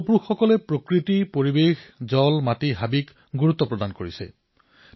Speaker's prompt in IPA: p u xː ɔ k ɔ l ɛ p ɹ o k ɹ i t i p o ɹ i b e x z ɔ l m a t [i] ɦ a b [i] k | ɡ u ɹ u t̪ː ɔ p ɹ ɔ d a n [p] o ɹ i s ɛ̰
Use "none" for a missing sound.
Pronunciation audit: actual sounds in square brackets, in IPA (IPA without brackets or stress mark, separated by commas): i, i, k